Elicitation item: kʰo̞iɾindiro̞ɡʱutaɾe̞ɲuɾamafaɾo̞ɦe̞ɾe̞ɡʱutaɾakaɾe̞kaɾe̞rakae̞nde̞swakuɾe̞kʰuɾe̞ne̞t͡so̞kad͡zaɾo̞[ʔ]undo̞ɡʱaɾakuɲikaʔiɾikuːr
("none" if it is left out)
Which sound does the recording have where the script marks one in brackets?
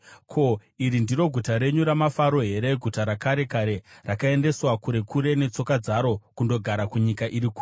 k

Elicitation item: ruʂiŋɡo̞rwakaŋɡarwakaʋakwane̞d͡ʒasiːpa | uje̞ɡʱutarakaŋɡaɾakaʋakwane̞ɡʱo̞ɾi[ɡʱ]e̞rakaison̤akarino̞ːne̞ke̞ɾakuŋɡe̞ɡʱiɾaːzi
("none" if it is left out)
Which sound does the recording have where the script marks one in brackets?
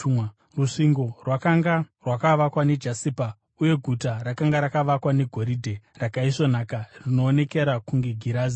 dʱ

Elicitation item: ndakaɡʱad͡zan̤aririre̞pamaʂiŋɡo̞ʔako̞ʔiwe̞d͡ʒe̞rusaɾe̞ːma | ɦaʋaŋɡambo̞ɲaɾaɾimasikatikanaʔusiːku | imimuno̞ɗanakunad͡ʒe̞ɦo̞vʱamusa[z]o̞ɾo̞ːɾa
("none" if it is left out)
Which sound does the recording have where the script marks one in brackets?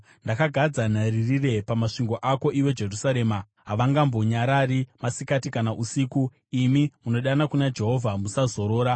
z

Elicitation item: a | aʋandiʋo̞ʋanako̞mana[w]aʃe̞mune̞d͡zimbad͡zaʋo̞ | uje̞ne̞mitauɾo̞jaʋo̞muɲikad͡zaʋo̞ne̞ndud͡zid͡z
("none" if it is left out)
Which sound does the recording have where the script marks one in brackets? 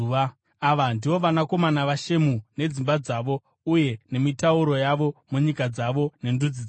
ʋ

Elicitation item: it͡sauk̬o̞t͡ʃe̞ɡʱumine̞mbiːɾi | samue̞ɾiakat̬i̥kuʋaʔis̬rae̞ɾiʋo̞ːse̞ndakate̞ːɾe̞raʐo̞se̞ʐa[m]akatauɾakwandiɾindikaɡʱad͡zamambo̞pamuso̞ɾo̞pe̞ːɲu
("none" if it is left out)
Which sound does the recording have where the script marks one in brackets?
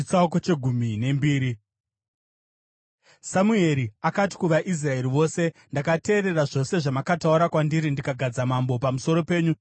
m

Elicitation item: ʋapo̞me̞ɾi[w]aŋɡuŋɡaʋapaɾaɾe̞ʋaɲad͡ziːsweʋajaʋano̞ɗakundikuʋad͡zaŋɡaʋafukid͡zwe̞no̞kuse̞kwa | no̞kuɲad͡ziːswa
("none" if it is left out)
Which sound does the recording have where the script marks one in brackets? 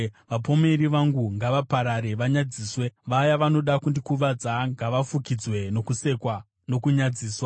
ʋ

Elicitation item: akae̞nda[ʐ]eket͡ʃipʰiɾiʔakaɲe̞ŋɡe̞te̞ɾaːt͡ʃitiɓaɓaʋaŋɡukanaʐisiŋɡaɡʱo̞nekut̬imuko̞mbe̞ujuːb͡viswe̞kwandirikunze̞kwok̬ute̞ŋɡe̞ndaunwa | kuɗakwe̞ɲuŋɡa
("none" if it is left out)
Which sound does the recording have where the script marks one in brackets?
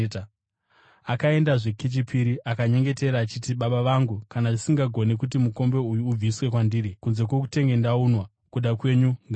ʐ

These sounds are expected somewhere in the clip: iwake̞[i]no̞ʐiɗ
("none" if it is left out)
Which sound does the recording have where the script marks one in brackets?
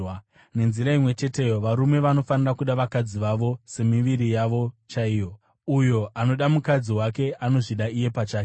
a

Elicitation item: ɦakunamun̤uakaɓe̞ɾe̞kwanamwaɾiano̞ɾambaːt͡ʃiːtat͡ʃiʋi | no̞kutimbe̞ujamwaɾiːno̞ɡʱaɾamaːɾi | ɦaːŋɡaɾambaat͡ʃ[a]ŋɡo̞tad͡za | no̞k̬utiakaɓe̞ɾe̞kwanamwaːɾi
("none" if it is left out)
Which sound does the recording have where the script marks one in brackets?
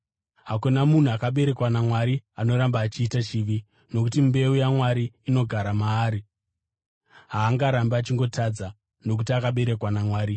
i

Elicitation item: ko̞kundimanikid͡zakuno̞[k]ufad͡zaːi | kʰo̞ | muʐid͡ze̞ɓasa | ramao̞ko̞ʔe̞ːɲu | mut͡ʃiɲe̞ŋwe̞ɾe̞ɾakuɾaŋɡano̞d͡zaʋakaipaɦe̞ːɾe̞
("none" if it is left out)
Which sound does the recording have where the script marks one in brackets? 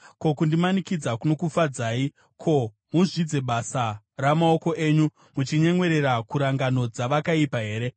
k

